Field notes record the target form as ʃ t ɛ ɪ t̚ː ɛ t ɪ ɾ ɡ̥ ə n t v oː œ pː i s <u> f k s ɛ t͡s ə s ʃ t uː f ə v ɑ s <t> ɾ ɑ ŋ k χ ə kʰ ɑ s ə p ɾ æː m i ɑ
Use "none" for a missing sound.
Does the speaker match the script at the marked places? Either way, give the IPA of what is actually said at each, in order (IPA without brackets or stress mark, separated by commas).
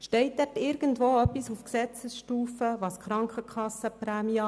u, k